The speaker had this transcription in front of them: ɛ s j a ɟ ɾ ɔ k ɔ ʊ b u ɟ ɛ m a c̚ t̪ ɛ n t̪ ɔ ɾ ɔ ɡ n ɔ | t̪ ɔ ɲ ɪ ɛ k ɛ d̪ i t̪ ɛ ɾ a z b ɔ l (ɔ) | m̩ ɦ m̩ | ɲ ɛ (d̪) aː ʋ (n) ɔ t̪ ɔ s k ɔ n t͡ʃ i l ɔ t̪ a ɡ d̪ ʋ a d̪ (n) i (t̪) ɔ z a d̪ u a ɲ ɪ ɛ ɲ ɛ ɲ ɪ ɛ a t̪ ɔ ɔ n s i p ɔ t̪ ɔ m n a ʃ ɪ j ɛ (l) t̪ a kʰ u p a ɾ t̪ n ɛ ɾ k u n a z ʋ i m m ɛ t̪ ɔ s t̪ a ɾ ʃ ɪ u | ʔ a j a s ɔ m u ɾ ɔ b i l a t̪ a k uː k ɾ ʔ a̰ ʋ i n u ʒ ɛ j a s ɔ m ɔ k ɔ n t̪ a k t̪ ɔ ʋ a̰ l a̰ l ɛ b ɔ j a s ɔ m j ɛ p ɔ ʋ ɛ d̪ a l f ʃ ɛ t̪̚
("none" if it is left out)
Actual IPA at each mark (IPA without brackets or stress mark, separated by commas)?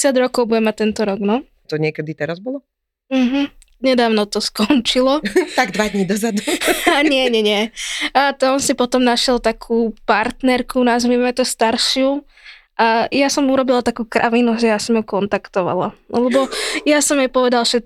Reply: ɔ, d̪, n, ɲ, d̪, l